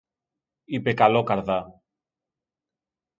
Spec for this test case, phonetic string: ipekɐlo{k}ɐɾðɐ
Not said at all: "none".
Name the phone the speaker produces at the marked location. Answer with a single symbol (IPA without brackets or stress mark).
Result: k